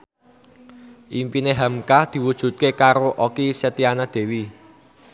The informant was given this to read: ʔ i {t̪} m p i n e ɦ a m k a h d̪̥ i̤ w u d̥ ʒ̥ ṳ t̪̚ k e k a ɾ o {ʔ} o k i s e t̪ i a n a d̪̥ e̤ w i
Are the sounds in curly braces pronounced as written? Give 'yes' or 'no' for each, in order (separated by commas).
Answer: no, yes